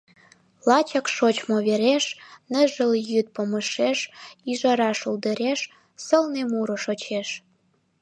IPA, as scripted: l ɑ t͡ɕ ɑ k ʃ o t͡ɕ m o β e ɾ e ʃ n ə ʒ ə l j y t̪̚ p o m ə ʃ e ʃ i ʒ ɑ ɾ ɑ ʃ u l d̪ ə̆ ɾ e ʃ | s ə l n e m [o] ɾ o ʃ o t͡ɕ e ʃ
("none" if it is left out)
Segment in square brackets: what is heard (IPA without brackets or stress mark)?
u